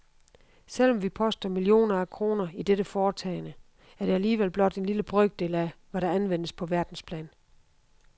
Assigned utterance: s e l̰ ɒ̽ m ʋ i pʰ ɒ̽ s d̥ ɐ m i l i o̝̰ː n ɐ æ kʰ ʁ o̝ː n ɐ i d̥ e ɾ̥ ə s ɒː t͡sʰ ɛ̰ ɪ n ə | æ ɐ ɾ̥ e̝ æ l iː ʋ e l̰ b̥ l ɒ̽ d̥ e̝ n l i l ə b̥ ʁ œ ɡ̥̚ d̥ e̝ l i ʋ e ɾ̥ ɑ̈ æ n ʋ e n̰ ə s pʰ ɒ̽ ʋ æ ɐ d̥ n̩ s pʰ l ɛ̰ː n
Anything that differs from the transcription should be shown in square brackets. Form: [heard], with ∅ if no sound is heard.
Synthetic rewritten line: s e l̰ ɒ̽ m ʋ i pʰ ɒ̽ s d̥ ɐ m i l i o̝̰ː n ɐ æ kʰ ʁ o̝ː n ɐ i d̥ e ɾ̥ ə [f] ɒː t͡sʰ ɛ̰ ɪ n ə | æ ɐ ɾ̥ e̝ æ l iː ʋ e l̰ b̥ l ɒ̽ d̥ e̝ n l i l ə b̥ ʁ œ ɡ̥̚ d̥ e̝ l [æ] ʋ [æ] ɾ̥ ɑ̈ æ n ʋ e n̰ ə s pʰ ɒ̽ ʋ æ ɐ d̥ n̩ s pʰ l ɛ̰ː n